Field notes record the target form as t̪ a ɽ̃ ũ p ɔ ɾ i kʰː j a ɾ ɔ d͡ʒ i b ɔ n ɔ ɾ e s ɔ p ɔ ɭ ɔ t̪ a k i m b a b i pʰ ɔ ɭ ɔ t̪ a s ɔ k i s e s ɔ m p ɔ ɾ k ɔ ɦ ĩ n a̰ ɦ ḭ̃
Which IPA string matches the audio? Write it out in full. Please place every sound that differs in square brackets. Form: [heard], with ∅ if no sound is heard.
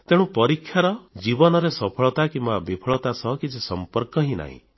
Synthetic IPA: t̪ [e] ɽ̃ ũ p ɔ ɾ i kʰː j a ɾ ɔ d͡ʒ i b ɔ n ɔ ɾ e s ɔ [pʰ] ɔ ɭ ɔ t̪ a k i m b a b i pʰ ɔ ɭ ɔ t̪ a s ɔ k i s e s ɔ m p ɔ ɾ k ɔ ɦ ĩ n a̰ ɦ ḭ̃